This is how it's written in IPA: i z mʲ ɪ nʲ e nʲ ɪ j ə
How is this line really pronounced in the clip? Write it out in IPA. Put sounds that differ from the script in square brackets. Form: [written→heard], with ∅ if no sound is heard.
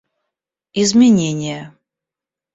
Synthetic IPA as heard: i z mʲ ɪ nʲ e nʲ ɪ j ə